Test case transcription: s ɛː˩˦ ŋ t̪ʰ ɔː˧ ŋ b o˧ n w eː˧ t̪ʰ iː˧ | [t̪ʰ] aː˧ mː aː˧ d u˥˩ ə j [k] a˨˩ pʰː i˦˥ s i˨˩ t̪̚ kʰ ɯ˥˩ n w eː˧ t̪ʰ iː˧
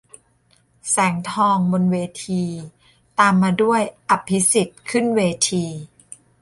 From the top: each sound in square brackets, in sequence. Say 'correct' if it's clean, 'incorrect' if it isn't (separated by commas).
incorrect, incorrect